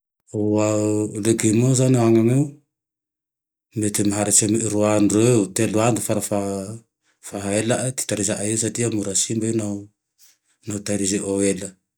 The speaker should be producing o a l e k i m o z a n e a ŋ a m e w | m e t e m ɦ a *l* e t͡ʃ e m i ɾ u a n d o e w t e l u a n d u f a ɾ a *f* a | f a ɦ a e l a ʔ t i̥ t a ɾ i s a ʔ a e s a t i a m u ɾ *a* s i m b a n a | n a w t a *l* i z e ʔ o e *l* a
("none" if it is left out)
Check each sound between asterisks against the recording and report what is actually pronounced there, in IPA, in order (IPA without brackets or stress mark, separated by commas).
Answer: ɾ, f, a, ɾ, l